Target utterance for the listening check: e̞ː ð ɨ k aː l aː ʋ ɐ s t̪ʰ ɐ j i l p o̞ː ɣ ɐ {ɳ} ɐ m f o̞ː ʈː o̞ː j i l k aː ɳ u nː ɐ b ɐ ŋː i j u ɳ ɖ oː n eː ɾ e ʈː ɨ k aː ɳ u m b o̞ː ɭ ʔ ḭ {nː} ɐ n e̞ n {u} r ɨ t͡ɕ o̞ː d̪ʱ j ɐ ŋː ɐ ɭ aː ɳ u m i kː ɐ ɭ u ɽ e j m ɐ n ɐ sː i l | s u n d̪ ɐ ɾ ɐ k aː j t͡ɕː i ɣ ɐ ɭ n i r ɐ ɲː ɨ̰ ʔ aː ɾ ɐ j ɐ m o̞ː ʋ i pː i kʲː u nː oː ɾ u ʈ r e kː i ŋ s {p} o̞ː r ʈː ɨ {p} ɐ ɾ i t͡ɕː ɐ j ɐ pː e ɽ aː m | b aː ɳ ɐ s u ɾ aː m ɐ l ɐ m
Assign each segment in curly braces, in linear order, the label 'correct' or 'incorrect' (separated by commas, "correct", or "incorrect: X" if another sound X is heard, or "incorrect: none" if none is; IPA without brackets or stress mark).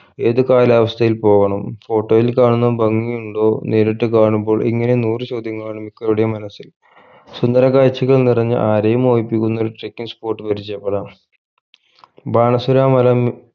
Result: correct, incorrect: ŋː, incorrect: uː, correct, correct